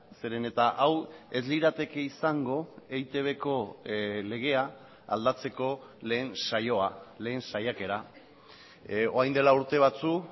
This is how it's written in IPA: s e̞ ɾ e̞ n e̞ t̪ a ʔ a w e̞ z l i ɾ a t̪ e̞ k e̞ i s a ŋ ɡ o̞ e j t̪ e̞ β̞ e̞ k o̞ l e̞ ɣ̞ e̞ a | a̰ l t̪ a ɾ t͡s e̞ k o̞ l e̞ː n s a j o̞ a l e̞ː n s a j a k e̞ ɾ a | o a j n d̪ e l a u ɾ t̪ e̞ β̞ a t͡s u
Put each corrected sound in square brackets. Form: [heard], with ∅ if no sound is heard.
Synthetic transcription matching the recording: s e̞ ɾ e̞ n e̞ t̪ a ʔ a w e̞ z l i ɾ a t̪ e̞ k e̞ i s a ŋ ɡ o̞ e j t̪ e̞ β̞ e̞ k o̞ l e̞ ɣ̞ e̞ a | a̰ l [d̪] a [∅] t͡s e̞ k o̞ l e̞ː n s a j o̞ a l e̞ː n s a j a k e̞ ɾ a | o a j n d̪ e l a u ɾ t̪ e̞ β̞ a t͡s u